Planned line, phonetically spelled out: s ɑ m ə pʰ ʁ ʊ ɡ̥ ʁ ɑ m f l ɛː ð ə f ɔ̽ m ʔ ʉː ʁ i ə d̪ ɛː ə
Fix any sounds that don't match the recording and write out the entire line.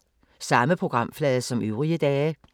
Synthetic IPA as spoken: s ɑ m ə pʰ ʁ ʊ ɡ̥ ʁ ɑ m f l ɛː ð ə s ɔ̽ m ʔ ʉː ʁ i ə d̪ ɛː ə